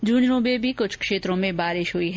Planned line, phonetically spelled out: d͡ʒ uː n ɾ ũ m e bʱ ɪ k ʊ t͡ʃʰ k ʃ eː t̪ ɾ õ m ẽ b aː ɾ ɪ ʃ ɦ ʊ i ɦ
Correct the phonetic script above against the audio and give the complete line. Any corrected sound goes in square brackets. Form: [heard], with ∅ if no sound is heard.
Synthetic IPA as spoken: d͡ʒ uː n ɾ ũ [b] e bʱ [i] k ʊ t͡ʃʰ k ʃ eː t̪ ɾ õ m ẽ b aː ɾ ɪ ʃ ɦ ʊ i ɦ